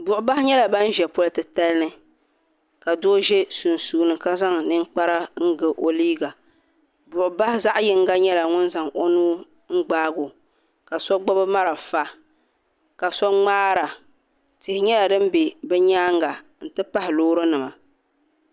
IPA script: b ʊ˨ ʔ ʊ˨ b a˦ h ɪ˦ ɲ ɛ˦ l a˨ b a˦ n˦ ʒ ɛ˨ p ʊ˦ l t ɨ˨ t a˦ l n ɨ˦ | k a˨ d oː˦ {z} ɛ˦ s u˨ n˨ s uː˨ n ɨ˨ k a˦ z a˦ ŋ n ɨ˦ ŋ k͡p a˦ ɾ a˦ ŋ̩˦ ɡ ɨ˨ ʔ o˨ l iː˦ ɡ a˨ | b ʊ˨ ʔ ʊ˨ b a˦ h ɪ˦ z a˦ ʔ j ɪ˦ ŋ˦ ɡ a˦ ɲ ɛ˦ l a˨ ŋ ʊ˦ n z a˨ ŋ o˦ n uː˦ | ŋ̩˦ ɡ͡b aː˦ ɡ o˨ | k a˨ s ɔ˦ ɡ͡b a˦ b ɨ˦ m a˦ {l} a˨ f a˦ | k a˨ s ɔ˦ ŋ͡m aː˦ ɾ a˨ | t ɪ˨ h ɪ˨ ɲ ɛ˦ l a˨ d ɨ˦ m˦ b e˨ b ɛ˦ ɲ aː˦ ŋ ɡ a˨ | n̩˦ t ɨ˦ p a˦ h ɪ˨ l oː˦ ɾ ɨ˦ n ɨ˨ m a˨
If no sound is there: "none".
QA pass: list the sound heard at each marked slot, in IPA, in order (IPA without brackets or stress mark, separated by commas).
ʒ, ɾ